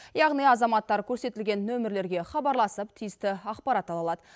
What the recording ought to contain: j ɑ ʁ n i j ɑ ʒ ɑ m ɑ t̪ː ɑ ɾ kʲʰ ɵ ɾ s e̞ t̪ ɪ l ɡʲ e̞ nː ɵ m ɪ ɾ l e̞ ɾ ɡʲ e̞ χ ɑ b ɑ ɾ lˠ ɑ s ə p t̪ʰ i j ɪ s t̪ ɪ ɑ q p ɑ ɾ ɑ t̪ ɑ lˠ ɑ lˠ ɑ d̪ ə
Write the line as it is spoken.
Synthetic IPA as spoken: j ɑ ʁ n i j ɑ z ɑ m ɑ t̪ː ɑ ɾ kʲʰ ɵ ɾ s e̞ t̪ ɪ l ɡʲ e̞ nː ɵ m ɪ ɾ l e̞ ɾ ɡʲ e̞ χ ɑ b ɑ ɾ lˠ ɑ s ə p t̪ʰ i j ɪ s t̪ ɪ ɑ q p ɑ ɾ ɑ t̪ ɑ lˠ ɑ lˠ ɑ d̪ ə